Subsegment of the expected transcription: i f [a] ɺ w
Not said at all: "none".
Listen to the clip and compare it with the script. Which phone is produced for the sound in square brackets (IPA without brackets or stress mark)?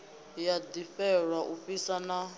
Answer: ɛ